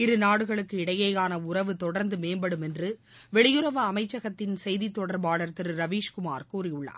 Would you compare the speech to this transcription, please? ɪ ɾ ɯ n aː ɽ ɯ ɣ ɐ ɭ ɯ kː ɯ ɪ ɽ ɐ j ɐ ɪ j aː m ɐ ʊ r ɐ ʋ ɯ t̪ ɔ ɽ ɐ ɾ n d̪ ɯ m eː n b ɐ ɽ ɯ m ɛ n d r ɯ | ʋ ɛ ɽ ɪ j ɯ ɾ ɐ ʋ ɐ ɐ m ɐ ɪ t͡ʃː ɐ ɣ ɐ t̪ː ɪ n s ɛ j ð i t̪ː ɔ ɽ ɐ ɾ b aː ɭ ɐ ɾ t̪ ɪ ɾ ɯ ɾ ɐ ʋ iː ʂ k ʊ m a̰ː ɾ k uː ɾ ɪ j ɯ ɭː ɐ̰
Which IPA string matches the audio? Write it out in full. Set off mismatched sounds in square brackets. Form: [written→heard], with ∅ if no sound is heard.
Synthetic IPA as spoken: ɪ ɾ ɯ n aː ɽ ɯ ɣ ɐ ɭ ɯ kː ɯ ɪ ɽ ɐ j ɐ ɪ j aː [m→n] ɐ ʊ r ɐ ʋ ɯ t̪ ɔ ɽ ɐ ɾ n d̪ ɯ m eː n b ɐ ɽ ɯ m ɛ n d r ɯ | ʋ ɛ [ɽ→ɭ] ɪ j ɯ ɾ ɐ ʋ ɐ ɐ m ɐ ɪ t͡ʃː ɐ ɣ ɐ t̪ː ɪ n s ɛ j ð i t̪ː ɔ ɽ ɐ ɾ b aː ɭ ɐ ɾ t̪ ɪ ɾ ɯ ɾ ɐ ʋ iː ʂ k ʊ m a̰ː ɾ k uː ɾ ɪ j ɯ ɭː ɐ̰